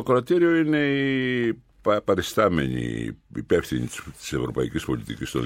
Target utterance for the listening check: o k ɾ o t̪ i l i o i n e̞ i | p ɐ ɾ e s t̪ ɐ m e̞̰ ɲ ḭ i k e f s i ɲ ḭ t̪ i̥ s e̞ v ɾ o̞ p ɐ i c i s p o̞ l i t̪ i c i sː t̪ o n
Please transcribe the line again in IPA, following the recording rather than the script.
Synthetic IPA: o k ɾ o t̪ i ɾ i o i n e̞ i | p ɐ ɾ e s t̪ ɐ m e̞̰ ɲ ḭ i p e f θ i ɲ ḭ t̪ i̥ s e̞ v ɾ o̞ p ɐ i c i s p o̞ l i t̪ i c i s t̪ o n